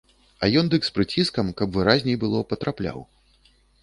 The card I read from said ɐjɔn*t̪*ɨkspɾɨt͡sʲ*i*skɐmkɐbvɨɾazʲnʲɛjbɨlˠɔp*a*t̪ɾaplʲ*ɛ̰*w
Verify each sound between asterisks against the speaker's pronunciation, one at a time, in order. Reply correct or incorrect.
incorrect: d̪, correct, incorrect: ɐ, incorrect: a̰

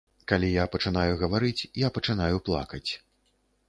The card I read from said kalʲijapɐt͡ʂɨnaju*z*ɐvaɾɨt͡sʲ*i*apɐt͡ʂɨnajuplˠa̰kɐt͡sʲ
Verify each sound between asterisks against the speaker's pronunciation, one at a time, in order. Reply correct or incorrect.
incorrect: ɣ, incorrect: j

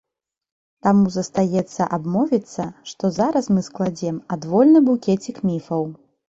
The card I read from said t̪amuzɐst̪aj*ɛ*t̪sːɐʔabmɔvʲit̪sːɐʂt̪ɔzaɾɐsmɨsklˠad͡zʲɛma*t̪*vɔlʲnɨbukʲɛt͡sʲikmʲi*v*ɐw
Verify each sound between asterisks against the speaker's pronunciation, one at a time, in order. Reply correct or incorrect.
correct, incorrect: d̪, incorrect: f

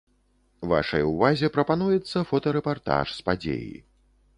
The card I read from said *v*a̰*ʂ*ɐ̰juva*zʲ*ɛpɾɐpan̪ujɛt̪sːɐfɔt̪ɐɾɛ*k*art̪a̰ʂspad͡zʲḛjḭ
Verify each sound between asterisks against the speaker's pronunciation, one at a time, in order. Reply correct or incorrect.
correct, correct, correct, incorrect: p

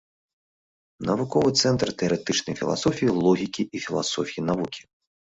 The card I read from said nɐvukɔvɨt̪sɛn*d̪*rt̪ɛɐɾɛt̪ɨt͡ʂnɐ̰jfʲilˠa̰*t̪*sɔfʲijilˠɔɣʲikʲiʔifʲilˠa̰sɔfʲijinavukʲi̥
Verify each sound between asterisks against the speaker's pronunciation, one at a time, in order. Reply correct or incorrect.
incorrect: t̪, incorrect: none

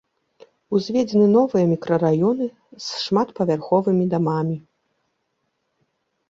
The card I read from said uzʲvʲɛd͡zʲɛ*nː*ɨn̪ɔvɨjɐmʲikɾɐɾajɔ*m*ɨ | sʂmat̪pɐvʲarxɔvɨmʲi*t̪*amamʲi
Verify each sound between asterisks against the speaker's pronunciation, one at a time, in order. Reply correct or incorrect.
incorrect: n, incorrect: n, incorrect: d̪

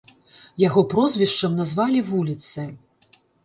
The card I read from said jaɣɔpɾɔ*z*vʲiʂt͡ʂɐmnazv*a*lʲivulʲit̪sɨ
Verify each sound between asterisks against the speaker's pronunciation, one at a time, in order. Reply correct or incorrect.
correct, correct

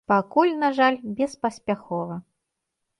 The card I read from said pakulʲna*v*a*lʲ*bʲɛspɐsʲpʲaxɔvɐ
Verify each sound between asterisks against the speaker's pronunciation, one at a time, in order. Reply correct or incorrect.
incorrect: ʐ, correct

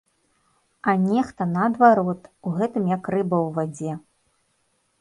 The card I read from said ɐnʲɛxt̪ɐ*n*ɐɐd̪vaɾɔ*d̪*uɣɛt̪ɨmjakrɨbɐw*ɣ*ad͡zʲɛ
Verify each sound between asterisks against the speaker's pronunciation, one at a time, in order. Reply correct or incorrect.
correct, incorrect: t̪, incorrect: v

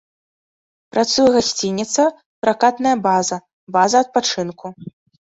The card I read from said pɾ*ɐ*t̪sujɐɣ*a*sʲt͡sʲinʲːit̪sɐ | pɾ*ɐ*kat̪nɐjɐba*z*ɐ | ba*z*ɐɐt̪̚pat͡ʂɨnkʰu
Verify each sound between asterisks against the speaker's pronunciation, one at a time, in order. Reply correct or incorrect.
incorrect: a, correct, incorrect: a, correct, correct

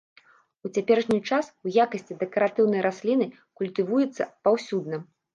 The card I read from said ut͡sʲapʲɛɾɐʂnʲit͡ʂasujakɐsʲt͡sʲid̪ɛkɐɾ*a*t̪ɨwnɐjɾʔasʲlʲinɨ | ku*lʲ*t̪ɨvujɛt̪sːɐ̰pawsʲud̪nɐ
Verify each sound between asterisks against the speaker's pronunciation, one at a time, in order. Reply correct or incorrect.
correct, correct

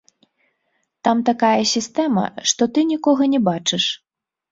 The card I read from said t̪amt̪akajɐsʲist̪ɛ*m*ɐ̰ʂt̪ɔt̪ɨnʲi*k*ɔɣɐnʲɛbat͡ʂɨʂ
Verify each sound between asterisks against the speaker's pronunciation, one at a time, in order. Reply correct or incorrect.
correct, correct

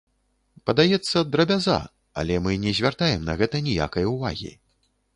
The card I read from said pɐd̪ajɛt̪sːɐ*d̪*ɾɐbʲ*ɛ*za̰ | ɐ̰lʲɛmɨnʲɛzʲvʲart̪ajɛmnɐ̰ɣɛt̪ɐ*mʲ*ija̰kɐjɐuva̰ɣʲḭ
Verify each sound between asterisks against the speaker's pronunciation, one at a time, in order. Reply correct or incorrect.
correct, incorrect: a, incorrect: nʲ

